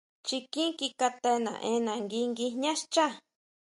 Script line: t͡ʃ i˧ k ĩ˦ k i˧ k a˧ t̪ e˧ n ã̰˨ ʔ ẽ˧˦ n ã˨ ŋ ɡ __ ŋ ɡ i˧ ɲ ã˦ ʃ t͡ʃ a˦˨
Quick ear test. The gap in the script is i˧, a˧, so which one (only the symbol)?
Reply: i˧